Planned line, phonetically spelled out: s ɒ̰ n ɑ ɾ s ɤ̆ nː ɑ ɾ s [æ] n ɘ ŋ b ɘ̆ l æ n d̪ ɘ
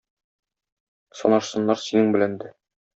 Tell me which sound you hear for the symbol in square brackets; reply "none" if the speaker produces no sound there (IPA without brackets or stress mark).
i